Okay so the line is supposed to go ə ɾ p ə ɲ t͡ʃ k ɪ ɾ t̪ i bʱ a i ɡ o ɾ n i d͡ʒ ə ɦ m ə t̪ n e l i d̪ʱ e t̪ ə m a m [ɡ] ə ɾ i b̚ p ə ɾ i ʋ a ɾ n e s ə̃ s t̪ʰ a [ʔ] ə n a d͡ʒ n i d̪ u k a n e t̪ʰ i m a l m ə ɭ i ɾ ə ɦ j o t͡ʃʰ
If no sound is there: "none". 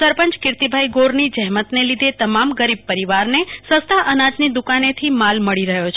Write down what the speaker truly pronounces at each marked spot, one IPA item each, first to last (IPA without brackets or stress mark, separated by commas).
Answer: ɡ, ʔ